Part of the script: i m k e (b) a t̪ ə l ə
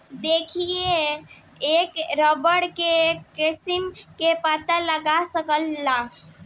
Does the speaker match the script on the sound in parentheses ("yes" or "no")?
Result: no